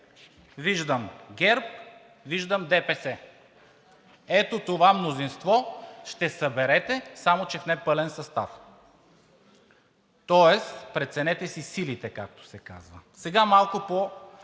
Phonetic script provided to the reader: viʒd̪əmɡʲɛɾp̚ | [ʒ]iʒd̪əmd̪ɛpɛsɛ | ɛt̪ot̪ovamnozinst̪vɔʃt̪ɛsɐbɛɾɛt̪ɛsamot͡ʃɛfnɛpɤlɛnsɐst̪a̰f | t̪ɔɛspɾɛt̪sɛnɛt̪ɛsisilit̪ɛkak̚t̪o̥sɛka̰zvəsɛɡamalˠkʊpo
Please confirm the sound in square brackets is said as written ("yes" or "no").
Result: no